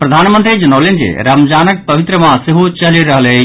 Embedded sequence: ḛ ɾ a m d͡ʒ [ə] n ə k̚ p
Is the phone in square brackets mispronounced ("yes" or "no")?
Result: yes